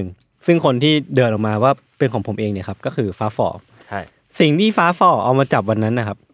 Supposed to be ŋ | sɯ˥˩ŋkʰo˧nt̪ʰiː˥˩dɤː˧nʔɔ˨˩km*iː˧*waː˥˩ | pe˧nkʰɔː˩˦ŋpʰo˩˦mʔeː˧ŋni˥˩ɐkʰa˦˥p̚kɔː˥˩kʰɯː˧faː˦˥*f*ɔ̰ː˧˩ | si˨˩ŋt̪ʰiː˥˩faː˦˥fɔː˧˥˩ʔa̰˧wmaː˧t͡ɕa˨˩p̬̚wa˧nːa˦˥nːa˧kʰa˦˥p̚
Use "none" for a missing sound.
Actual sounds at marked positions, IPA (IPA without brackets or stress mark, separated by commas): aː˧, f